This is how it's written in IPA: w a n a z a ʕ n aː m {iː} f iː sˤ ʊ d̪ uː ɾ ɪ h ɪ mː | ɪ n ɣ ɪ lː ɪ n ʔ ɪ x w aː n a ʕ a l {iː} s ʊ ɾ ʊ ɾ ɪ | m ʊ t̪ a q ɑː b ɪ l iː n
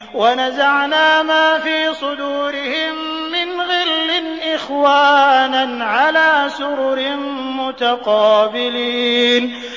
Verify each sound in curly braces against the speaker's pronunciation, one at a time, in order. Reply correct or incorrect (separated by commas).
incorrect, incorrect